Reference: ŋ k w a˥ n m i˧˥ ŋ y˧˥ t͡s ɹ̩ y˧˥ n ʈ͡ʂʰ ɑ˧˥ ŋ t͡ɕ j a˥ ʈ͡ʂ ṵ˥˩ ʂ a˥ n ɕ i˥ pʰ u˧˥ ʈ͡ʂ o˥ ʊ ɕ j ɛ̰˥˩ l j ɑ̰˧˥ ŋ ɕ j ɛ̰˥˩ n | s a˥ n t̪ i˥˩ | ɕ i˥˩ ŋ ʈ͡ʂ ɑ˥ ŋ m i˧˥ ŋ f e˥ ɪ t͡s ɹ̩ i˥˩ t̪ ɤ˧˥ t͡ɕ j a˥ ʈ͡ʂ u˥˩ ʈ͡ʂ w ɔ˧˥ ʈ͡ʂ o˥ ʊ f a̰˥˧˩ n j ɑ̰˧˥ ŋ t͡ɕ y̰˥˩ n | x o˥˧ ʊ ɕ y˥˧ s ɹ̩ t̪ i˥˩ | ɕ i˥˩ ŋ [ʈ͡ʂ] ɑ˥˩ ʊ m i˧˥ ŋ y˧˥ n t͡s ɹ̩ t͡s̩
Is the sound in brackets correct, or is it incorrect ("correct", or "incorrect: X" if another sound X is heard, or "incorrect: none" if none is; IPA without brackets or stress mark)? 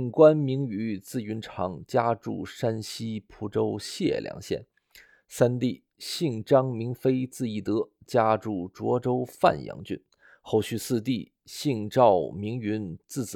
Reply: correct